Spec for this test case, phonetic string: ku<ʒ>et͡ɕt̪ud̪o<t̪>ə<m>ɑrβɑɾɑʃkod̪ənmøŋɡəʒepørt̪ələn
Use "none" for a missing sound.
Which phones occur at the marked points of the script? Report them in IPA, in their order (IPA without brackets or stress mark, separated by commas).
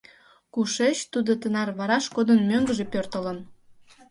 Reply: ʃ, t̪, n